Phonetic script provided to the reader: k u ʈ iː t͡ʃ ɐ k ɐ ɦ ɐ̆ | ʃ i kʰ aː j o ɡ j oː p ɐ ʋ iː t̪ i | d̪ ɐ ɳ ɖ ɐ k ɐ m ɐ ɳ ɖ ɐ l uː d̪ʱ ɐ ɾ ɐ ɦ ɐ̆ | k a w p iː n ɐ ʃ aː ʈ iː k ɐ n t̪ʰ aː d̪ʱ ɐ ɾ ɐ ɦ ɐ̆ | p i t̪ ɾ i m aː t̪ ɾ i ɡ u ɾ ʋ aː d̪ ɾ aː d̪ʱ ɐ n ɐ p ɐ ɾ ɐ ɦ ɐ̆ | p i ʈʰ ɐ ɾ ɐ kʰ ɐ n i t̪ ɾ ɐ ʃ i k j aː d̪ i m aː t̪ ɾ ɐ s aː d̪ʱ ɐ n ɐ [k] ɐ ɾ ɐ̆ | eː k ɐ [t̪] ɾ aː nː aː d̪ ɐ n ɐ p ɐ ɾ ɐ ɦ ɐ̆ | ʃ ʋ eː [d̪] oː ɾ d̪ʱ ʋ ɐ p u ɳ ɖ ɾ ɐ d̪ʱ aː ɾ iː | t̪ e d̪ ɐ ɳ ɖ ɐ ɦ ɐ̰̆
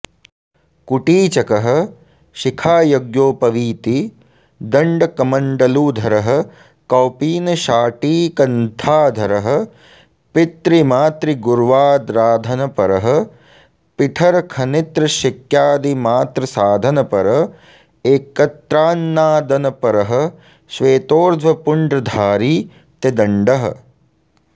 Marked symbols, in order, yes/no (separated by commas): no, yes, no